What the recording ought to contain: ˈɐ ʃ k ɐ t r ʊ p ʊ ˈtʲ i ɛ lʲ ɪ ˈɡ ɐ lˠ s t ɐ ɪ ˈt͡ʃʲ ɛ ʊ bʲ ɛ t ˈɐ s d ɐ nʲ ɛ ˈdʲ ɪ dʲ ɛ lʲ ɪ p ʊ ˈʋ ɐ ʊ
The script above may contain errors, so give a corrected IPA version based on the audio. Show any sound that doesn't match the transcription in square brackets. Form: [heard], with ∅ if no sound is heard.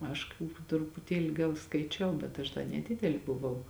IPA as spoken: ˈɐ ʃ k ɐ t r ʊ p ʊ ˈtʲ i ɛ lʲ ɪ ˈɡ ɐ lˠ s [k] ɐ ɪ ˈt͡ʃʲ ɛ ʊ bʲ ɛ t ˈɐ [ʃ] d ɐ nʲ ɛ ˈdʲ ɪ dʲ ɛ lʲ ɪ [b] ʊ ˈʋ ɐ ʊ